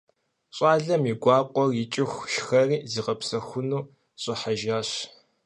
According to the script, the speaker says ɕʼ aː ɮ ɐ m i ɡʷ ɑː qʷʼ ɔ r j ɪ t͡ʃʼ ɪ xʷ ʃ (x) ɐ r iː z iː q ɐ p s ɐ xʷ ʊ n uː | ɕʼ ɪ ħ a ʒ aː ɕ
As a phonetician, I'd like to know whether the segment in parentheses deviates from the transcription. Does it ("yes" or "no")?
no